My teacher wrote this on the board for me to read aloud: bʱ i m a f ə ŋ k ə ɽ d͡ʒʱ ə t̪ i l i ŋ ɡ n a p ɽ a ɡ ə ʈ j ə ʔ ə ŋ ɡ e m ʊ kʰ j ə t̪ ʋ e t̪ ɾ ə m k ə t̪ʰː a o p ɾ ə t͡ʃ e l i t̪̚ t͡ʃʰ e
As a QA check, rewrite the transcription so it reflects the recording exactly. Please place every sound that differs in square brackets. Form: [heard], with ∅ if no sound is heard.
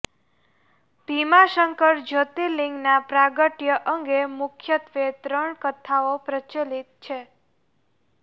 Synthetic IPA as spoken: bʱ i m a [ʃ] ə ŋ k ə [ɾ] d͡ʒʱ ə t̪ i l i ŋ ɡ n a p [ɾ] a ɡ ə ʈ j ə ʔ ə ŋ ɡ e m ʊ kʰ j ə t̪ ʋ e t̪ ɾ ə [ɳ] k ə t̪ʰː a o p ɾ ə t͡ʃ e l i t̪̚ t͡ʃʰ e